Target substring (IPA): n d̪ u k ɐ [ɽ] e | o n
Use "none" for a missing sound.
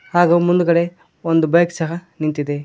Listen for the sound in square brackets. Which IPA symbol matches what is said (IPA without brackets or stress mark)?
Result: ɽ